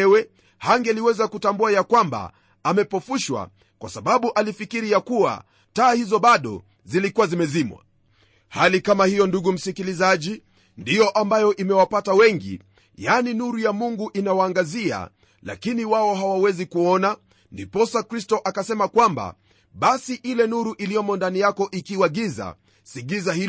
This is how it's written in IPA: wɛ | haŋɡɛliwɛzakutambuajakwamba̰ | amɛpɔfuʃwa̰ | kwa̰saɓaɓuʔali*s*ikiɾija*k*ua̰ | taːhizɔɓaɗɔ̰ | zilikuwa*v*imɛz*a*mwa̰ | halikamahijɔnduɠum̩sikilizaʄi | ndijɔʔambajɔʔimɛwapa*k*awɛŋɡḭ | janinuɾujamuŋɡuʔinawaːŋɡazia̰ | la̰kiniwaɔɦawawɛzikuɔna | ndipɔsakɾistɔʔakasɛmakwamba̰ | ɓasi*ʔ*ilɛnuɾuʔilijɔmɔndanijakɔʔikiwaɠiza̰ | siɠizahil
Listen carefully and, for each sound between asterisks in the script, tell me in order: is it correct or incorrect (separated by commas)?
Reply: incorrect, correct, incorrect, incorrect, incorrect, correct